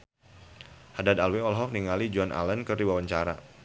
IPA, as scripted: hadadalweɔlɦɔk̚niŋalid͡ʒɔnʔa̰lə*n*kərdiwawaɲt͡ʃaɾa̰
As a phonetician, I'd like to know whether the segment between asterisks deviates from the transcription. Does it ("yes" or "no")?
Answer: no